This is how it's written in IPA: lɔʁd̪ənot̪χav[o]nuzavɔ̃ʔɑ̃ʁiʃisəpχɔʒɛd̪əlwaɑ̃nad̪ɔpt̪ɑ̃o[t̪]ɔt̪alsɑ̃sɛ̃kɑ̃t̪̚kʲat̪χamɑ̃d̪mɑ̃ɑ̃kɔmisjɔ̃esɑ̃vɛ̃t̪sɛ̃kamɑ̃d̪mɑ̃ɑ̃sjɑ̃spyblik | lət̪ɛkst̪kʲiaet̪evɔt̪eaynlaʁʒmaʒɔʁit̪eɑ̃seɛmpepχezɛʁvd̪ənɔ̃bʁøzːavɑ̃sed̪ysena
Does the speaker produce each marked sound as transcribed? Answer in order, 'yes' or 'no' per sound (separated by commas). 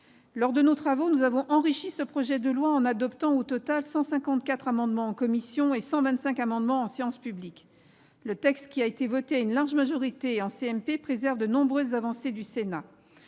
yes, yes